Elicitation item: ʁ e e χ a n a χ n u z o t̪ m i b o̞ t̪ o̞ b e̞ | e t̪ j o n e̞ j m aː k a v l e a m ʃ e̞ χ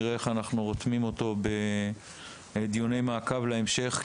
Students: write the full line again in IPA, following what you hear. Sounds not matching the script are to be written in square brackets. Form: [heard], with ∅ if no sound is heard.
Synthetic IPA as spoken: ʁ e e χ a n a χ n u [ʁ] o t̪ m i [m] o̞ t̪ o̞ b e̞ | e [d̪] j o n e̞ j m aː k a v l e [e] m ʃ e̞ χ